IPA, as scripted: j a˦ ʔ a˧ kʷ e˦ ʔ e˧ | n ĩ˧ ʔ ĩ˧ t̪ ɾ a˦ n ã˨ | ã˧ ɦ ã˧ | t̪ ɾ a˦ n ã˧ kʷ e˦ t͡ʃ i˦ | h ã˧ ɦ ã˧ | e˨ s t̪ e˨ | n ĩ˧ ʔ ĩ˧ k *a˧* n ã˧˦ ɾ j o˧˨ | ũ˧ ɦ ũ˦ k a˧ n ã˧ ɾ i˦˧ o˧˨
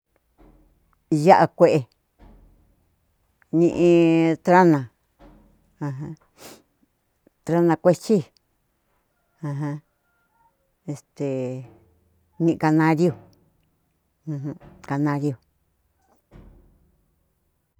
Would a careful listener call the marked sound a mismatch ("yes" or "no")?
no